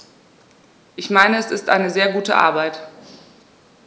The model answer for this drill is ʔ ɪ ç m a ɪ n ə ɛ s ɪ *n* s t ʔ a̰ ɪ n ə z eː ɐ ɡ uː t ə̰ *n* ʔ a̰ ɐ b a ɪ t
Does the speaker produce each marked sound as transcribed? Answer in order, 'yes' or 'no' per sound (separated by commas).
no, no